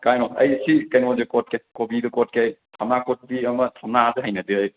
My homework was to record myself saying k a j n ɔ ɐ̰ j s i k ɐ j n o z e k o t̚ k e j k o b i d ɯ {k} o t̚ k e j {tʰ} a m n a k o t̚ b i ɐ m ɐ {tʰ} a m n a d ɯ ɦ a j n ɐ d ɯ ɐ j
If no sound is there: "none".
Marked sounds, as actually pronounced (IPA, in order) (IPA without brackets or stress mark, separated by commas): k, tʰ, tʰ